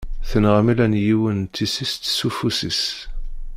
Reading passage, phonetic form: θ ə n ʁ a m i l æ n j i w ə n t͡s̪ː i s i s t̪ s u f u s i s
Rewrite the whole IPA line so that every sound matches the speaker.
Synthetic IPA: θ ə n ʁ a m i l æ n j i w ə n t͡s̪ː i s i s t̪ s u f u s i s